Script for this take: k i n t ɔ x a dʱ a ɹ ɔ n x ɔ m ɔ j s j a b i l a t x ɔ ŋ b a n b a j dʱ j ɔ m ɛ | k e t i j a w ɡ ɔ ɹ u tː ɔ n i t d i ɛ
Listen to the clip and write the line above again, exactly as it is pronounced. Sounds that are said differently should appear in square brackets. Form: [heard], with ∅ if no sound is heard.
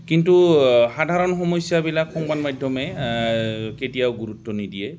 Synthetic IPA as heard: k i n t [u] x a dʱ a ɹ ɔ n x ɔ m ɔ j s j a b i l a [k] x ɔ ŋ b a n [m] a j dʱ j ɔ m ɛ | k e t i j a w ɡ [u] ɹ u tː ɔ n i [∅] d i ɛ